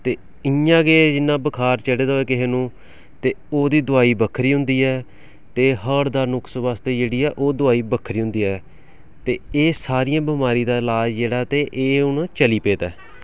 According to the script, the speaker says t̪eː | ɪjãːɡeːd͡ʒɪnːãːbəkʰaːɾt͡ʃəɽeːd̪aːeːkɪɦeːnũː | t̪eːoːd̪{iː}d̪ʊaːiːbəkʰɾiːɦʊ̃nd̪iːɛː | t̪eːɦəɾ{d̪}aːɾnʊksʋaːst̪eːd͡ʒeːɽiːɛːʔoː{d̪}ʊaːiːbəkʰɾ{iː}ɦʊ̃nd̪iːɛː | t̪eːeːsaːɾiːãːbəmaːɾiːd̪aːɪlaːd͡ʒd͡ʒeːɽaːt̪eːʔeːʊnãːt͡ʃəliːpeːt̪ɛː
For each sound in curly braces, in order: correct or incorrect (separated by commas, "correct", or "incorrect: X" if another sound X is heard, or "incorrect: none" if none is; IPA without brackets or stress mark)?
correct, correct, correct, correct